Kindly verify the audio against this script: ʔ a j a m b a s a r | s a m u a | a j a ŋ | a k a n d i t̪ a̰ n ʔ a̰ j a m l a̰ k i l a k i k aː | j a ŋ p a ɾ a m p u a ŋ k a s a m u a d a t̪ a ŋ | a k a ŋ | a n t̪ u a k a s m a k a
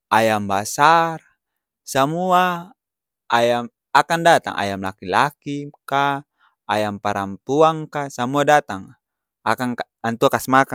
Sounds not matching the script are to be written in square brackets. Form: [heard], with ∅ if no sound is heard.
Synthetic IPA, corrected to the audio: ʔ a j a m b a s a r | s a m u a | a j a [m] | a k a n d [a] t̪ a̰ [ŋ] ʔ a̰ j a m l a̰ k i l a k i k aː | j a [m] p a ɾ a m p u a ŋ k a s a m u a d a t̪ a ŋ | a k a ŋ | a n t̪ u a k a s m a k a